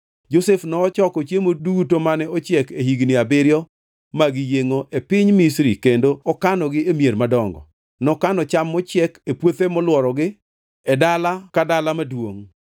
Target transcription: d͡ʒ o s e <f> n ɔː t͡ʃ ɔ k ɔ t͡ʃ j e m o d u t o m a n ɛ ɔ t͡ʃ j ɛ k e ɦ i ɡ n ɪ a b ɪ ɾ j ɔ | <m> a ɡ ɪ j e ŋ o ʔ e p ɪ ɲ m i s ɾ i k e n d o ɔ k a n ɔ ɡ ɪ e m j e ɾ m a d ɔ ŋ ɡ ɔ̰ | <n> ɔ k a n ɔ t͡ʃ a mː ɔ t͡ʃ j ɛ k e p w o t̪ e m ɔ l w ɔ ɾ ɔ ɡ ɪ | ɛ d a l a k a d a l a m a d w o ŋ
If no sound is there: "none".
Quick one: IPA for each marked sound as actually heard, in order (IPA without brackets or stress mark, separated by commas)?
f, m, n